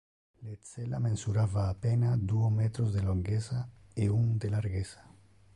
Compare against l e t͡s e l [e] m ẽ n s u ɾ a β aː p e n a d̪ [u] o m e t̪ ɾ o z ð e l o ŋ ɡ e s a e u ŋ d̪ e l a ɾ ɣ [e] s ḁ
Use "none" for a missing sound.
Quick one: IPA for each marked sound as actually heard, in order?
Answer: a, u, e

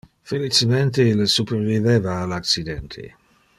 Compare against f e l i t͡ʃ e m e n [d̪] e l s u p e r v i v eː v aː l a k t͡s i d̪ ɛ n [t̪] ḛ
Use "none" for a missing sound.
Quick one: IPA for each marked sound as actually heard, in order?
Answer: t̪, t̪ʰ

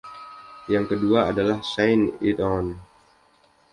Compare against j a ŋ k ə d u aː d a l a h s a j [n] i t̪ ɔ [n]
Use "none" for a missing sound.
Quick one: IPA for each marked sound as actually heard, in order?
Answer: n, n

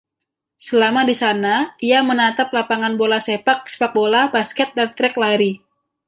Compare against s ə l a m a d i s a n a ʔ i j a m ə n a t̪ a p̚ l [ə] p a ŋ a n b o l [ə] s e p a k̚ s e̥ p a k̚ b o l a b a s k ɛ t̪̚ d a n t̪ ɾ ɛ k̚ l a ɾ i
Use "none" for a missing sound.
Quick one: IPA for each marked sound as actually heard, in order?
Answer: a, a

